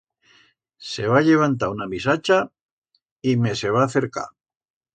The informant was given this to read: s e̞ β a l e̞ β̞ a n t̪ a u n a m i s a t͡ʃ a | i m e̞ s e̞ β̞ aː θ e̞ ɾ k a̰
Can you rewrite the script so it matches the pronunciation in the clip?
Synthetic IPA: s e̞ β a ʎ e̞ β̞ a n t̪ a u n a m i s a t͡ʃ a | i m e̞ s e̞ β̞ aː θ e̞ ɾ k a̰